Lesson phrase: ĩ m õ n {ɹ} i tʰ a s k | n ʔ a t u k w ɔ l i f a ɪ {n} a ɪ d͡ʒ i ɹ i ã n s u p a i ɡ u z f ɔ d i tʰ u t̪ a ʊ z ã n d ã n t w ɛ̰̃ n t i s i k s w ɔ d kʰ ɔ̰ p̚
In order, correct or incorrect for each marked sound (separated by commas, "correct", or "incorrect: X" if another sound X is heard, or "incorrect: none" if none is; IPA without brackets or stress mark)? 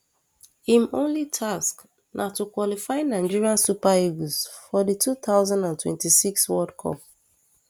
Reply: incorrect: l, correct